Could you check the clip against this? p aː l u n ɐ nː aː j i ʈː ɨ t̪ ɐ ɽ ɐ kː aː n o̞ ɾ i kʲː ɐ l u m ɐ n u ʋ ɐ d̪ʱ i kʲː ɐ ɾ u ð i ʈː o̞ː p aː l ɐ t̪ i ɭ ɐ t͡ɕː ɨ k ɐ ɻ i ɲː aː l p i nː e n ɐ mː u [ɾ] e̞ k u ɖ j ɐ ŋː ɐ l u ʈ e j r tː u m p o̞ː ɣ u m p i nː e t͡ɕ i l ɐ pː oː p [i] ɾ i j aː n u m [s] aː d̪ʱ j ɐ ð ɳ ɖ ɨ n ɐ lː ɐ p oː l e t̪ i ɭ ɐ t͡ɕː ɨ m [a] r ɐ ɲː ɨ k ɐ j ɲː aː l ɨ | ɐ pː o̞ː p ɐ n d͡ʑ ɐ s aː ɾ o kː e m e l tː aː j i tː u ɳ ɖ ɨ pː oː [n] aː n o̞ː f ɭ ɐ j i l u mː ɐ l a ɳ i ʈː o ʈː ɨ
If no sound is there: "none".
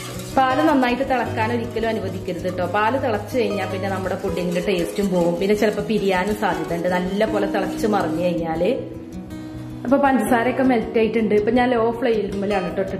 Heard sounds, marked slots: ɽ, i, s, ɐ, ɲ

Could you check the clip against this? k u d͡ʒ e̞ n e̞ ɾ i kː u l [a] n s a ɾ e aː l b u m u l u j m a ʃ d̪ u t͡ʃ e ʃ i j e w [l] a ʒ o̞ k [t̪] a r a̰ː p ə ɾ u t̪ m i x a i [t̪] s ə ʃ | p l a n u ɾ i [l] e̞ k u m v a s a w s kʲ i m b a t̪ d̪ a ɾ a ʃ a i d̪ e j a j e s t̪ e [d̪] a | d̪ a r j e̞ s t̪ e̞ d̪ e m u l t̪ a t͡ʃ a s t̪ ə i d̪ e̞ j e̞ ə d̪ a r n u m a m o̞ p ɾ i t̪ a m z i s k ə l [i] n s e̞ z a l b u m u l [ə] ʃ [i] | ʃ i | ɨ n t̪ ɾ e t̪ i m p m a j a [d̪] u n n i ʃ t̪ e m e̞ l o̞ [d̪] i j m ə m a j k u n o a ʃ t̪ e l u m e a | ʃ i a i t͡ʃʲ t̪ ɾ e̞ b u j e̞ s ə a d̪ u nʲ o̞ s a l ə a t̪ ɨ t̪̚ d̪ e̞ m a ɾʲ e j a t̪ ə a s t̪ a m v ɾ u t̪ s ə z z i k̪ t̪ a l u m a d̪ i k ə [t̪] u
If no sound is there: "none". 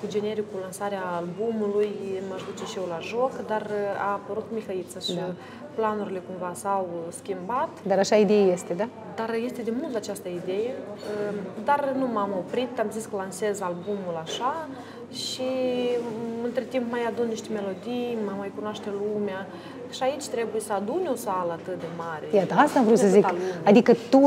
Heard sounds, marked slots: a, l, d̪, t̪, l, d̪, a, a, a, d̪, d̪, t̪

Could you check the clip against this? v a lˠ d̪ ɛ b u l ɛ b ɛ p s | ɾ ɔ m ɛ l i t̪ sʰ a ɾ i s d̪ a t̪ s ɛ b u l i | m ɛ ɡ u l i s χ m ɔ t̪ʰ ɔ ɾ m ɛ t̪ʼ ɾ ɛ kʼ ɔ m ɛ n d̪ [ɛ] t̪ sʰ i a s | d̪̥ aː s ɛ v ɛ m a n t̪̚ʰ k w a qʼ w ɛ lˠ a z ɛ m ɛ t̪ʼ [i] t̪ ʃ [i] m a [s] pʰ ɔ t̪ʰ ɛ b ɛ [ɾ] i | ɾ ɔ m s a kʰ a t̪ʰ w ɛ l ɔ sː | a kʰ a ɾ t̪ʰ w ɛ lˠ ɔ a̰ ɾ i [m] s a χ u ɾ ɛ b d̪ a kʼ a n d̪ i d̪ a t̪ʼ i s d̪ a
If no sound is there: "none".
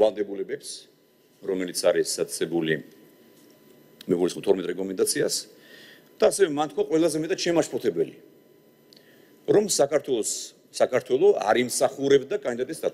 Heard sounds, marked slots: a, a, ɛ, ʃ, l, m

